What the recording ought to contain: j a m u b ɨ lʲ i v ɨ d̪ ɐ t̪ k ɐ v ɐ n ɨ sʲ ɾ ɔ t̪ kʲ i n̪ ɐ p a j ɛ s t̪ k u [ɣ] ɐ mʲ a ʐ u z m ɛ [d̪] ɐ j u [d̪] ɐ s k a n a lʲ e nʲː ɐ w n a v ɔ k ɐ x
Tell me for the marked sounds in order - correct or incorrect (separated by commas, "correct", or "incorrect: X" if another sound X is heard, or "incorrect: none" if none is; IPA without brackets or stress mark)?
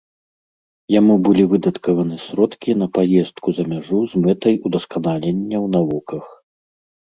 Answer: incorrect: z, incorrect: t̪, correct